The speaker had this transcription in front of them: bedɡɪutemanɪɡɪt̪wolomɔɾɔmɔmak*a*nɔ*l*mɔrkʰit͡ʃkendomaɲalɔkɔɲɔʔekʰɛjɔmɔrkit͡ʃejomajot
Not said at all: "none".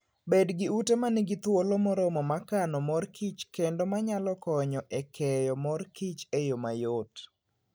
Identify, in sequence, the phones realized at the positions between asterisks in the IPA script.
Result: a, none

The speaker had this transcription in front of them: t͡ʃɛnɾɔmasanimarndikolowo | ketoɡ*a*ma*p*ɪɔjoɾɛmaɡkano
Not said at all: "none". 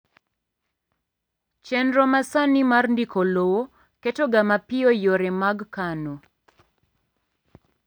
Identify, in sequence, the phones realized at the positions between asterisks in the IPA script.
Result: a, p

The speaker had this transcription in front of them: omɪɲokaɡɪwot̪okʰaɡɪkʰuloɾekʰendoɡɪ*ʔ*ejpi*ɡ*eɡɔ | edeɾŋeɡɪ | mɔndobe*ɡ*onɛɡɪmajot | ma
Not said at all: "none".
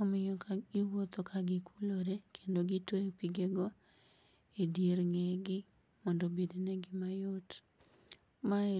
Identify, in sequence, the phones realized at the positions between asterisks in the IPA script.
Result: t, ɡ, d

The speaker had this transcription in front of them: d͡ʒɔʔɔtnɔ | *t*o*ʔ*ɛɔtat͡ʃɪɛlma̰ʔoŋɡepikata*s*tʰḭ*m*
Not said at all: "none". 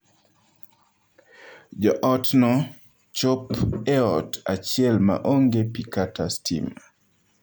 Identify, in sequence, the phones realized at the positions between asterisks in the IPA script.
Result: t͡ʃ, p, s, m

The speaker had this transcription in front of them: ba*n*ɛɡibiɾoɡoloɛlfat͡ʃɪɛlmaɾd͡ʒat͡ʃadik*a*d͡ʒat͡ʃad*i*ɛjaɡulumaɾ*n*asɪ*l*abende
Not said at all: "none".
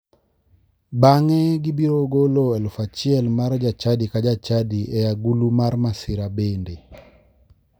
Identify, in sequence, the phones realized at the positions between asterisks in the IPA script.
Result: ŋ, a, i, m, ɾ

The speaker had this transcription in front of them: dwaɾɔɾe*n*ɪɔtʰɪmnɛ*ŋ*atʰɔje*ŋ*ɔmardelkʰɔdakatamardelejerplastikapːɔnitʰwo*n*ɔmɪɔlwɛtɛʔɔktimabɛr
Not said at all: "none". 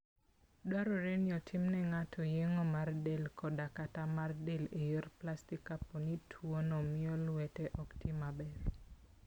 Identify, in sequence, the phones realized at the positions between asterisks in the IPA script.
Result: n, ŋ, ŋ, n

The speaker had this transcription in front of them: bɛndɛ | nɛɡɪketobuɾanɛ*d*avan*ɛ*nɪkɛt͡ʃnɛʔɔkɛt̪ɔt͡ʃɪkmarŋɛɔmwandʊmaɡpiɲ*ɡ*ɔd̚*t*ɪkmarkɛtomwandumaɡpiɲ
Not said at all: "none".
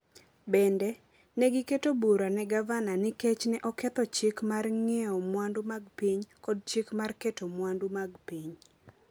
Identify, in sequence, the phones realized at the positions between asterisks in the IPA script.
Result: ɡ, a, k, t͡ʃ

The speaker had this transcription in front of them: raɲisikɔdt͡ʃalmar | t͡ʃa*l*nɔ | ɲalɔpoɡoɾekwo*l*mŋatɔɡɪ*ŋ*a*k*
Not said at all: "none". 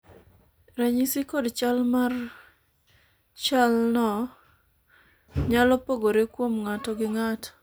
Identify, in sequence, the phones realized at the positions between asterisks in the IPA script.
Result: l, none, ŋ, t

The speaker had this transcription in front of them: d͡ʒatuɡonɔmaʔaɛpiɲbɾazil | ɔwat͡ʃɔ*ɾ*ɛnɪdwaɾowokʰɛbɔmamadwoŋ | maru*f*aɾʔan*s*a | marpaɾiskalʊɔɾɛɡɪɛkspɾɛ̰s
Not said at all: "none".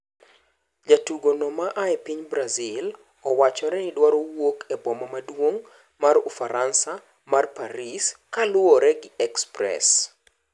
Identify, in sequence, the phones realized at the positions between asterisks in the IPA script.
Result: ɾ, f, s

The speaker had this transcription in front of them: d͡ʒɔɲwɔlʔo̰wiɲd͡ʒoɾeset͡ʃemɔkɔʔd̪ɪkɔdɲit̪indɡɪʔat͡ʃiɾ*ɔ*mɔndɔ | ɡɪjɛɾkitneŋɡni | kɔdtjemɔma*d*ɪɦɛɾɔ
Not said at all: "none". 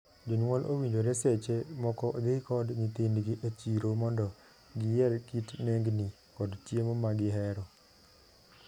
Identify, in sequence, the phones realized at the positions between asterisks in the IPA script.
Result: o, ɡ

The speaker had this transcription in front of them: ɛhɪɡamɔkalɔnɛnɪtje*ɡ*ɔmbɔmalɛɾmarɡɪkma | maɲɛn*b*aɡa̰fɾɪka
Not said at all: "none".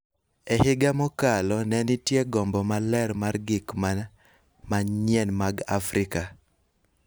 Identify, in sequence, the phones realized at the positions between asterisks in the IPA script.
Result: ɡ, m

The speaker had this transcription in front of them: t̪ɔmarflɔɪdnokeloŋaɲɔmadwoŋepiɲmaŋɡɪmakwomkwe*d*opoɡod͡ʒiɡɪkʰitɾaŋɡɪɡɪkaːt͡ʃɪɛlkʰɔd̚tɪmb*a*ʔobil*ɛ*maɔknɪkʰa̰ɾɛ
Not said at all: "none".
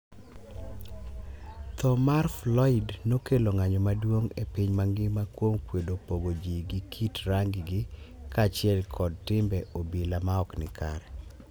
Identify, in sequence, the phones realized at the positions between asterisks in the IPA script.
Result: d, ɛ, a

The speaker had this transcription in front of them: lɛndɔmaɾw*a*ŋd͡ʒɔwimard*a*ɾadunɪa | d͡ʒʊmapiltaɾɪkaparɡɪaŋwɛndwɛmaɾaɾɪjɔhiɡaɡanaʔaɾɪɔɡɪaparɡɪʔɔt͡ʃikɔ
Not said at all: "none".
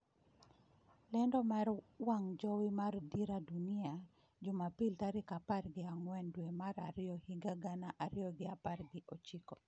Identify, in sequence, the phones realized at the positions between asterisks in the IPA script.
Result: a, i

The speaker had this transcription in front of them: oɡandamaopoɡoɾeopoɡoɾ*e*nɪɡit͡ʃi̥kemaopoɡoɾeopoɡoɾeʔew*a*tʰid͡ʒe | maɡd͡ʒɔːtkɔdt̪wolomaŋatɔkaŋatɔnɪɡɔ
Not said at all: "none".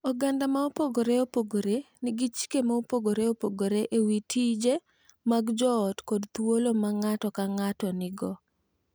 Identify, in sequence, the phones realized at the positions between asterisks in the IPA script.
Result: e, i

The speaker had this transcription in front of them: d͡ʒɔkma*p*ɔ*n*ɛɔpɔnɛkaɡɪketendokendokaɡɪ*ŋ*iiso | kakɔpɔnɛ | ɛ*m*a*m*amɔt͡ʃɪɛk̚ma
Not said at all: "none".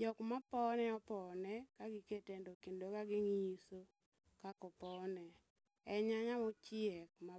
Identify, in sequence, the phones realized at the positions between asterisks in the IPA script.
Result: p, n, ŋ, ɲ, ɲ

